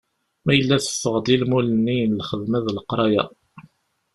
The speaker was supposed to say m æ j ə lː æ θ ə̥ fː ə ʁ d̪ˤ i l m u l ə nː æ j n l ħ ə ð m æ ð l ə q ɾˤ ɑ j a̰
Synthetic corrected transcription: m æ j ə lː æ θ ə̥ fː ə ʁ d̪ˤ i l m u l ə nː i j n l χ ə ð m æ ð l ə q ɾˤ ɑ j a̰

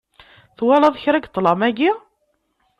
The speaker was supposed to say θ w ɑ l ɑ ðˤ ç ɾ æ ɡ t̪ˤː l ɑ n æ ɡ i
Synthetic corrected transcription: θ w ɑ l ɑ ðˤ ç ɾ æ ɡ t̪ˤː l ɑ m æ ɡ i

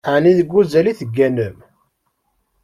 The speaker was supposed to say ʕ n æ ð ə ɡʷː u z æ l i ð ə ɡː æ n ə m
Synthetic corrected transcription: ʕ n i ð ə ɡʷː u z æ l i θ ə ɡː æ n ə m

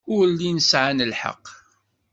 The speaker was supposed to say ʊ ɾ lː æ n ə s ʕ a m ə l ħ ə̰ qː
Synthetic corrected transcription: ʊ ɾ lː i n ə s ʕ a n ə l ħ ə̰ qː

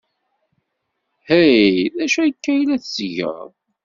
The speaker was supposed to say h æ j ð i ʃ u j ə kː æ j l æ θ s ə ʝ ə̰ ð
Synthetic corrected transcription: h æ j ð æ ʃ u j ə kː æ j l æ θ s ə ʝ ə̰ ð

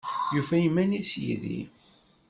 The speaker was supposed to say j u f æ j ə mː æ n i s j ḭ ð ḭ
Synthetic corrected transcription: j u f æ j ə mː æ n i s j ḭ ð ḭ

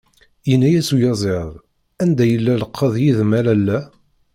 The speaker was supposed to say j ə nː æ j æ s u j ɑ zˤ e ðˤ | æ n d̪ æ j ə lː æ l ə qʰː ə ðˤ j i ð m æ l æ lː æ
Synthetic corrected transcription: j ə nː æ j æ s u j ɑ zˤ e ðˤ | æ n d̪ æ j ə lː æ l ə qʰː ə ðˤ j i ð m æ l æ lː æ

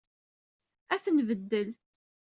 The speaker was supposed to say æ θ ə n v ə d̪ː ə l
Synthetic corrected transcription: æ θ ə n v ə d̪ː ə l

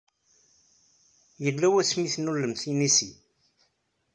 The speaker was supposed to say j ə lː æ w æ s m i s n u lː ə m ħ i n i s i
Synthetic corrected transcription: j ə lː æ w æ s m i θ n u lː ə m θ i n i s i

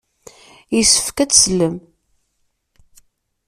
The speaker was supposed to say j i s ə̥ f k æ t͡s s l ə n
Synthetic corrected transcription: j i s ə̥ f k æ t͡s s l ə m

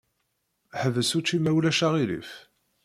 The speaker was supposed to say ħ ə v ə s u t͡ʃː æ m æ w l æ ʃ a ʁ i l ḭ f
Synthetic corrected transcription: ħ ə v ə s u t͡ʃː i m æ w l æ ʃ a ʁ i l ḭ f

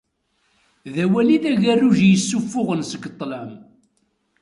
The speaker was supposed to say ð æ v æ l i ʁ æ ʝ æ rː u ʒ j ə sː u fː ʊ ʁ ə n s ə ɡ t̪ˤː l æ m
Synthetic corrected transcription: ð æ w æ l i ð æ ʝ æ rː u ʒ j ə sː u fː ʊ ʁ ə n s ə ɡ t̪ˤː l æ m

